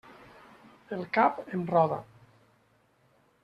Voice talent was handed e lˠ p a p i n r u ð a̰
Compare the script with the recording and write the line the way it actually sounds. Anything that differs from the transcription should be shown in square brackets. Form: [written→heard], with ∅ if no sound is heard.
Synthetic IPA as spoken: e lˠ [p→k] a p [i→e] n r [u→ɔ] ð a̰